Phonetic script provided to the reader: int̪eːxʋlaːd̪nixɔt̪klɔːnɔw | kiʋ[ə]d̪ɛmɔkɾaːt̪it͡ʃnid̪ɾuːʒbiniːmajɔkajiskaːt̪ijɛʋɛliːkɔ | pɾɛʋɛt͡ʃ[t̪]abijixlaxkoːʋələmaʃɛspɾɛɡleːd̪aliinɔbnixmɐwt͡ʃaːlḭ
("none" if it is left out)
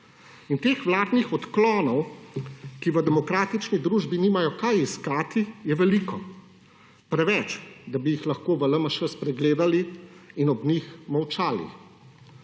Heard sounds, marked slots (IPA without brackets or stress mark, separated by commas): ə, d̪